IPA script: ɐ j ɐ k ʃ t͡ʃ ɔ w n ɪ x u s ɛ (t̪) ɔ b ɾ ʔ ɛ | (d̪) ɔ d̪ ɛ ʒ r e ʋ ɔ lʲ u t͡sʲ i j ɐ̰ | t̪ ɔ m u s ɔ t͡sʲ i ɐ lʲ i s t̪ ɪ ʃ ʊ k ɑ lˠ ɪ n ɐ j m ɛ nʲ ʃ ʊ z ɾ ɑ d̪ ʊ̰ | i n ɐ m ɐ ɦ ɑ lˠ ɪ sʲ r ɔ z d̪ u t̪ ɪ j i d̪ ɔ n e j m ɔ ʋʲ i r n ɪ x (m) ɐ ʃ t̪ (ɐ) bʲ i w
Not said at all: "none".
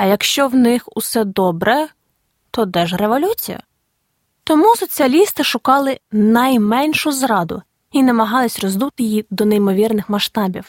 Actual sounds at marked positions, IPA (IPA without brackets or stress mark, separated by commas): d̪, t̪, m, ɑ